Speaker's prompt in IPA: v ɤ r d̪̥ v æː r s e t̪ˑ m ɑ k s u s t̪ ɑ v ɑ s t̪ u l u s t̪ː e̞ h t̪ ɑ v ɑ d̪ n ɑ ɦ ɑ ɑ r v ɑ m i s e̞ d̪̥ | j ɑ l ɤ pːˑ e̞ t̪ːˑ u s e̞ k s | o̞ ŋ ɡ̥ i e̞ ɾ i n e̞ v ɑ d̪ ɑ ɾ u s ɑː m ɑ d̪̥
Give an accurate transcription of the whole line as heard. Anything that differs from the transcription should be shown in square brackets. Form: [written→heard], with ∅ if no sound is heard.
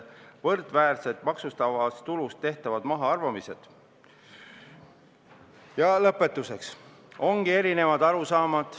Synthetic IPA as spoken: v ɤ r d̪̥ v æː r s e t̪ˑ m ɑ k s u s t̪ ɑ v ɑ s t̪ u l u s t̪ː e̞ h t̪ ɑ v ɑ d̪ [n→m] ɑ ɦ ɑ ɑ r v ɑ m i s e̞ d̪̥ | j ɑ l ɤ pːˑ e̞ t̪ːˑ u s e̞ k s | o̞ ŋ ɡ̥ i e̞ ɾ i n e̞ v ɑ d̪ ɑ ɾ u s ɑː m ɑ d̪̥

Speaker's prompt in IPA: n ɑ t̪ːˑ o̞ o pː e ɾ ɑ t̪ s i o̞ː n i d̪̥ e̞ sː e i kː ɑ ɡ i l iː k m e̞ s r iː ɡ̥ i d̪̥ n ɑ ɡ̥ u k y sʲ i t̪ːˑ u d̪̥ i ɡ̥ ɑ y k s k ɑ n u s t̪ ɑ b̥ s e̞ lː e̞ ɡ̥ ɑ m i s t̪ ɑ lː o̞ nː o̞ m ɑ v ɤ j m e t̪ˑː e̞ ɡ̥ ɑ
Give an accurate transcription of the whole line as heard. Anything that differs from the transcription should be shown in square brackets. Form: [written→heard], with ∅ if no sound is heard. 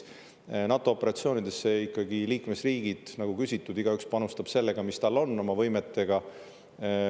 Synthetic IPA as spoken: n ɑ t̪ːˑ o̞ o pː e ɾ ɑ t̪ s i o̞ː n i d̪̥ e̞ sː e i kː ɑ ɡ i l iː k m e̞ s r iː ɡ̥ i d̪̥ n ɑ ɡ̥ u k y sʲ i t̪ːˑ u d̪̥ i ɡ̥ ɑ y k s [k→p] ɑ n u s t̪ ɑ b̥ s e̞ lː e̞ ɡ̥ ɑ m i s t̪ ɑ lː o̞ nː o̞ m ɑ v ɤ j m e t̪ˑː e̞ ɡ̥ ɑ

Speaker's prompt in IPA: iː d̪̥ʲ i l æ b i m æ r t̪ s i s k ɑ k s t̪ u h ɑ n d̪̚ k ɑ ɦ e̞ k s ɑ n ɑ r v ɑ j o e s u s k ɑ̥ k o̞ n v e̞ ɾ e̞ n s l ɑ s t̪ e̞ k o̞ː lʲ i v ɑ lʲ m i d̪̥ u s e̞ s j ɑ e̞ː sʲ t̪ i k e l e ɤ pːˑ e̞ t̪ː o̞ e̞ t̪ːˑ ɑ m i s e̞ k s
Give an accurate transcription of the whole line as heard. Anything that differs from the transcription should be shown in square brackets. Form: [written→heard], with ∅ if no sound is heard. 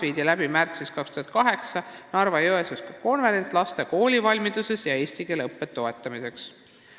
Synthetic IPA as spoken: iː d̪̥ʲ i l æ b i m æ r t̪ s i s k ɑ k s t̪ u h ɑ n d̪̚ k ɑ ɦ e̞ k s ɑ n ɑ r v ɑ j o e s u s k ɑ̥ k o̞ n v e̞ ɾ e̞ n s l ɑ s t̪ e̞ k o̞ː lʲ i v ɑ lʲ m i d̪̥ u s e̞ s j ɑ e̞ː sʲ t̪ i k e l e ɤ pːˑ e̞ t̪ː o̞ e̞ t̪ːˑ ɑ m i s e̞ k s

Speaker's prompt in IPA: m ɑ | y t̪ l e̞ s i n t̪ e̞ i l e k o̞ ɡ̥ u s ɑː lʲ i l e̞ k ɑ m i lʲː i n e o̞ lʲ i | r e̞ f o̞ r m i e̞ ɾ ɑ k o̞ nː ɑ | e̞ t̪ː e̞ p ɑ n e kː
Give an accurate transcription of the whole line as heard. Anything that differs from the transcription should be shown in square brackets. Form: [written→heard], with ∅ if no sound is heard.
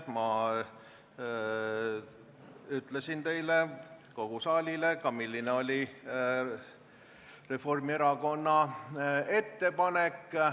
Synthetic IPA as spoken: m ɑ | y t̪ l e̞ s i n t̪ e̞ [i→j] l e k o̞ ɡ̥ u s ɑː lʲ i l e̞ k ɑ m i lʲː i n e o̞ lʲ i | r e̞ f o̞ r m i e̞ ɾ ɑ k o̞ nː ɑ | e̞ t̪ː e̞ p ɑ n e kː

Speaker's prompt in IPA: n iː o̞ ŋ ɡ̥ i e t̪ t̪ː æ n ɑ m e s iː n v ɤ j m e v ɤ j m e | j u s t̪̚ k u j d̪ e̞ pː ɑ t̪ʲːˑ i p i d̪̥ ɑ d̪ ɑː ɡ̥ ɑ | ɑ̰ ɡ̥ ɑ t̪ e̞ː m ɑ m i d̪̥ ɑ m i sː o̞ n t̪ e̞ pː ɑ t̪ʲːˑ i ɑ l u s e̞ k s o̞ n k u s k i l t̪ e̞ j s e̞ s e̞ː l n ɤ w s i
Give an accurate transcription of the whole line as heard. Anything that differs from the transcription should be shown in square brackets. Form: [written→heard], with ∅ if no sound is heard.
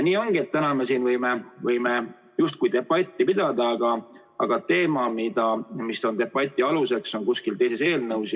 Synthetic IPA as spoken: n iː o̞ ŋ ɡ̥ i e t̪ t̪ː æ n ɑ m e s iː n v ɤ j m e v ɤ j m e | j u s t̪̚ k u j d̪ e̞ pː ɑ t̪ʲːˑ i p i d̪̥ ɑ d̪ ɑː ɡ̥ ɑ | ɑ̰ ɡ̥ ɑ t̪ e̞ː m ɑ m i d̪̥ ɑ m i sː o̞ n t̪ e̞ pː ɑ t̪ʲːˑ i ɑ l u s e̞ k s o̞ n k u s k i l t̪ e̞ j s e̞ s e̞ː l n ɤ w s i

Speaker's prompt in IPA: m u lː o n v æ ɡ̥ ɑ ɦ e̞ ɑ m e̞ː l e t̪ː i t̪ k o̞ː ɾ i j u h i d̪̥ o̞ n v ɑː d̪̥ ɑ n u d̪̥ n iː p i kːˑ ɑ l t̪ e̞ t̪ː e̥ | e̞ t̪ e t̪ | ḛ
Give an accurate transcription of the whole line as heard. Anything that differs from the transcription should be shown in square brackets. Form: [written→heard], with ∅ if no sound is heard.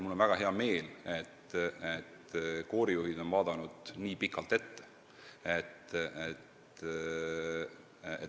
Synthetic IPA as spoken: m u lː o n v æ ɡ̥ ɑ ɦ e̞ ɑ m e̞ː l e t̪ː [i→e] t̪ k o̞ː ɾ i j u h i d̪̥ o̞ n v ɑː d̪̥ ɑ n u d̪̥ n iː p i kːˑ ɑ l t̪ e̞ t̪ː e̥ | e̞ t̪ e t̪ | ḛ

